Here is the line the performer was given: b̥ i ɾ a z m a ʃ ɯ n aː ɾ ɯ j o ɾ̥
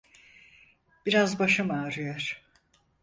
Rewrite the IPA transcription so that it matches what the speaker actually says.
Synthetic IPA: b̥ i ɾ a z b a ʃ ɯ m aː ɾ ɯ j o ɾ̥